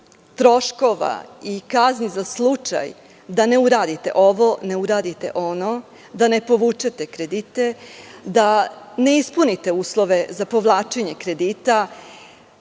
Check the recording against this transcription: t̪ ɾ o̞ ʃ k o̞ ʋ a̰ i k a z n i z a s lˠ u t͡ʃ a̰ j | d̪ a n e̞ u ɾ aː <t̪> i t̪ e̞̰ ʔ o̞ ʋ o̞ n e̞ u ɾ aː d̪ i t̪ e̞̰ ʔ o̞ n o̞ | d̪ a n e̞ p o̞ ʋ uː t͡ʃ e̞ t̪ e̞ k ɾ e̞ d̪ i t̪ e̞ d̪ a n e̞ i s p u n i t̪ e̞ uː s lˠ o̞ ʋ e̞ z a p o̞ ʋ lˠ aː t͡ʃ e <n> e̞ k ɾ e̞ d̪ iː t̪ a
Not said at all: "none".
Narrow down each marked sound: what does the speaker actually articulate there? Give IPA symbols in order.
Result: d̪, ɲ

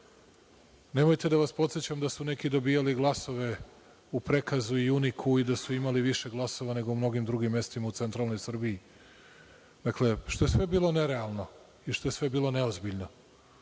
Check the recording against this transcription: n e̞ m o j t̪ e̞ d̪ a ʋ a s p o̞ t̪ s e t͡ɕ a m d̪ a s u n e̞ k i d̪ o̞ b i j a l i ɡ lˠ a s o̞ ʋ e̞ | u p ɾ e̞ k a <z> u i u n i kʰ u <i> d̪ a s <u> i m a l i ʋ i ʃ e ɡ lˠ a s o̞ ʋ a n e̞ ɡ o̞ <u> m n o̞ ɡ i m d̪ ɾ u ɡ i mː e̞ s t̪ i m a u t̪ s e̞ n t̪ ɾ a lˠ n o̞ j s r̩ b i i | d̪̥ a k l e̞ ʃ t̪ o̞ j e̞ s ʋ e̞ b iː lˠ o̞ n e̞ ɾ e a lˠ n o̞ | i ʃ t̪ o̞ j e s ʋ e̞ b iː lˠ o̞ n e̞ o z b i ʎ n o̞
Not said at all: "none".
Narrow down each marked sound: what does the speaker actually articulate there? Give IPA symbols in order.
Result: z, i, u, u

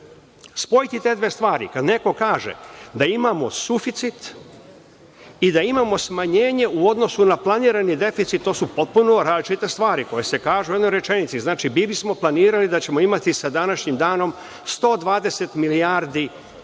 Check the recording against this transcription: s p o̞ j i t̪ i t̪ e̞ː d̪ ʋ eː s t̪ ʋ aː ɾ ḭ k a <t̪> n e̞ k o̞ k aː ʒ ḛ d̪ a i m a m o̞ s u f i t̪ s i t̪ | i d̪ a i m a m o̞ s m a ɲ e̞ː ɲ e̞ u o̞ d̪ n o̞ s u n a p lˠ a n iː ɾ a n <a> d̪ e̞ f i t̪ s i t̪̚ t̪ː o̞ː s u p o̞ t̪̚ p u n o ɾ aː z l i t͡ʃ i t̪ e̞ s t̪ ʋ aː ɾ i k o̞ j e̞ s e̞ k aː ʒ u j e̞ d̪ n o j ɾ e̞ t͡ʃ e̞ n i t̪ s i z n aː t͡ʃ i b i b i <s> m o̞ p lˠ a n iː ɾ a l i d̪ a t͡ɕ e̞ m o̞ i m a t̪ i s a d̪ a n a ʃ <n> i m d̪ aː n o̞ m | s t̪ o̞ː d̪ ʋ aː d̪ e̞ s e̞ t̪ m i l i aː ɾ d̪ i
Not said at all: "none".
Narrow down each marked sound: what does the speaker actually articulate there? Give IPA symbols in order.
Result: d̪, i, s, ɲ

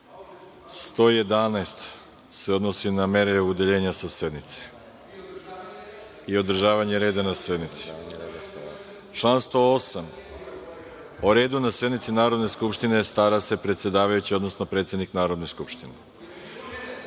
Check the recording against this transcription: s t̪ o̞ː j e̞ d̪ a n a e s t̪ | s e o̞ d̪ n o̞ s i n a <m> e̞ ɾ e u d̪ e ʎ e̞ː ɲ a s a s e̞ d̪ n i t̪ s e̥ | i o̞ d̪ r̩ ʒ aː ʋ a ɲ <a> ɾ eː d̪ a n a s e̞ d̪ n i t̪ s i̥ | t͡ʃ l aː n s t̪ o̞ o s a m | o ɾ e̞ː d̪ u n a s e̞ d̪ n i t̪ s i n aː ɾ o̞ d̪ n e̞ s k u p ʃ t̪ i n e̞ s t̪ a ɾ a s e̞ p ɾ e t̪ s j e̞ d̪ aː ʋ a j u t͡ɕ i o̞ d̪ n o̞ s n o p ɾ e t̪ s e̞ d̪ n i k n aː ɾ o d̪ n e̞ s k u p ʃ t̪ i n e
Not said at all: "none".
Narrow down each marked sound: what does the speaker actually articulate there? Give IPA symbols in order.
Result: m, e

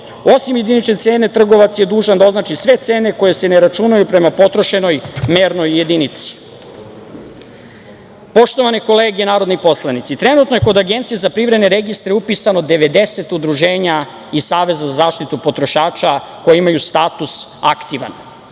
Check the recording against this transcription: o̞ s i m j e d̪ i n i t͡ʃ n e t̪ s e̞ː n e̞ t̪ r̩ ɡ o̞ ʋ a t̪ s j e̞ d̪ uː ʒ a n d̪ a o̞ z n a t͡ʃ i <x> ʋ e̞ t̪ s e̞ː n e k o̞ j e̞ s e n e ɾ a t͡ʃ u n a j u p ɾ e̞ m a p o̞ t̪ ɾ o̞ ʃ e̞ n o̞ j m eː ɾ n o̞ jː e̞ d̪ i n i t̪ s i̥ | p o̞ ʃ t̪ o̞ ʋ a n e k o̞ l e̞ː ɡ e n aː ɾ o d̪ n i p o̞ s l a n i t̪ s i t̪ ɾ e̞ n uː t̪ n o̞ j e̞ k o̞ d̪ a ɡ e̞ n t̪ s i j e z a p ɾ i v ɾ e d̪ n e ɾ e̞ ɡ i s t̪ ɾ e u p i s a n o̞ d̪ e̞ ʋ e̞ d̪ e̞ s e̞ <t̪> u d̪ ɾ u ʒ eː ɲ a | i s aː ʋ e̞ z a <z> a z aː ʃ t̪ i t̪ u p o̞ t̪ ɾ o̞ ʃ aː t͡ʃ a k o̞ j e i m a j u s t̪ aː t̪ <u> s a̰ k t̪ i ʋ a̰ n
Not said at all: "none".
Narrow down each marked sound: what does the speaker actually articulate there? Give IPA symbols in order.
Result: s, t̪, z, u

